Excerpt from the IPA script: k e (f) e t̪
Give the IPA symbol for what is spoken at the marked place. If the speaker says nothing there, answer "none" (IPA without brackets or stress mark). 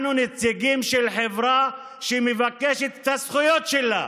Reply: ʃ